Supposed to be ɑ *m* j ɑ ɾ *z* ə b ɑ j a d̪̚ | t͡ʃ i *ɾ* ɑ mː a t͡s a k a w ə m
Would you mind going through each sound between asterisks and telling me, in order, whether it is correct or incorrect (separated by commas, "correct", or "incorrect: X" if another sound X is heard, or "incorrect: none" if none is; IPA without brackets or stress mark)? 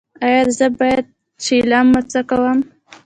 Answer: incorrect: none, correct, incorrect: l